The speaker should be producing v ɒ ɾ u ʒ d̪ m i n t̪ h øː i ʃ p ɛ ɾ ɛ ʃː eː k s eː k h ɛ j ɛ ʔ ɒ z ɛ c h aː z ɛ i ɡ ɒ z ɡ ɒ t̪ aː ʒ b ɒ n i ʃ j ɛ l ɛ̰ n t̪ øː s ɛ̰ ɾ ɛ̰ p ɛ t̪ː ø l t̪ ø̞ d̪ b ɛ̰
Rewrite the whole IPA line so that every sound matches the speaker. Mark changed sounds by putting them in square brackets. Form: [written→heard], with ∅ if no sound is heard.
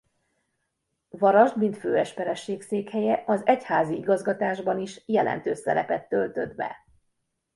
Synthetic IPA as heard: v ɒ ɾ [u→ɒ] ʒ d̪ m i n t̪ [h→f] øː [i→ɛ] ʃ p ɛ ɾ ɛ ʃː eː k s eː k h ɛ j ɛ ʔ ɒ z ɛ c h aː z [ɛ→i] i ɡ ɒ z ɡ ɒ t̪ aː ʒ b ɒ n i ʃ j ɛ l ɛ̰ n t̪ øː s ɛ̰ ɾ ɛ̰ p ɛ t̪ː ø l t̪ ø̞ d̪ b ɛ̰